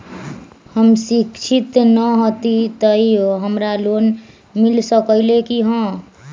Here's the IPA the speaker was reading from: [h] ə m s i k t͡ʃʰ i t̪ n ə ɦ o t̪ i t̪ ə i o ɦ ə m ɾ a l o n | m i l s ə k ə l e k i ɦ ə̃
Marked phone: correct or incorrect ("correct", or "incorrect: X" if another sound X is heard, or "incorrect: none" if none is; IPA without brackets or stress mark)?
correct